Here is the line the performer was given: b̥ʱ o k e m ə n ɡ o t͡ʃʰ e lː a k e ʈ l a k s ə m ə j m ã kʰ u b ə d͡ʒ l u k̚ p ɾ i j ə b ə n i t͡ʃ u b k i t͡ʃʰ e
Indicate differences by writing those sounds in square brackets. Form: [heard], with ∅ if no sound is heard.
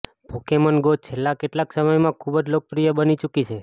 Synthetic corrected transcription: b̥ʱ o k e m ə n ɡ o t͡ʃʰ e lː a k e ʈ l a k s ə m ə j m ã kʰ u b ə d͡ʒ l [o] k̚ p ɾ i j ə b ə n i t͡ʃ u [∅] k i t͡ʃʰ e